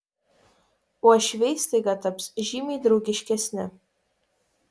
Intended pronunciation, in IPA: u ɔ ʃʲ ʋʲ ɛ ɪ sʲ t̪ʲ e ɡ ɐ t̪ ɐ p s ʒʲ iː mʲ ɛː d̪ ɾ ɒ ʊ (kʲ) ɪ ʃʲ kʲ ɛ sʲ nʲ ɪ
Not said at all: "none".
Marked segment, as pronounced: ɡʲ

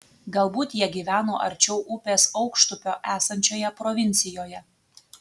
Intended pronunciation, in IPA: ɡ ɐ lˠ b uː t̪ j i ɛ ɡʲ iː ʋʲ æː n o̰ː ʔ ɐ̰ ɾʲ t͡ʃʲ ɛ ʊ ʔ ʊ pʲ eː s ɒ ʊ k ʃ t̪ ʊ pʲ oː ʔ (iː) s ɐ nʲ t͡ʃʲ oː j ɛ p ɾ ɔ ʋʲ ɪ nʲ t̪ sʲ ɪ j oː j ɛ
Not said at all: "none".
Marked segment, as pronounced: æː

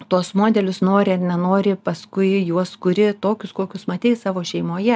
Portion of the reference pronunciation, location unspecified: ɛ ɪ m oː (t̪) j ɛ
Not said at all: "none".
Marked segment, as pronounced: none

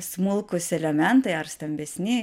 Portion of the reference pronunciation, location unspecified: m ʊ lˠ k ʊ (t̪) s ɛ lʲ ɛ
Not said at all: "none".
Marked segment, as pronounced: none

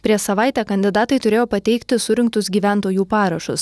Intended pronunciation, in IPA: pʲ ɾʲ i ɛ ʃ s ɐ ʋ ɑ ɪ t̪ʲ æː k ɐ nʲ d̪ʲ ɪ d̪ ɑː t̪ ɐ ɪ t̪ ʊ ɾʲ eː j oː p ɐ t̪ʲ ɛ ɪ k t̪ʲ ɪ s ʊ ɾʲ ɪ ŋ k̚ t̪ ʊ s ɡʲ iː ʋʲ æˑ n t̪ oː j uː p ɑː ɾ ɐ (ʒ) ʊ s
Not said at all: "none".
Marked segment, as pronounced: ʃ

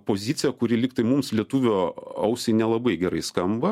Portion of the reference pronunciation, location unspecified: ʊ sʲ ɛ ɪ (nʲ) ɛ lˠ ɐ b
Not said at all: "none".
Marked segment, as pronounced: nʲ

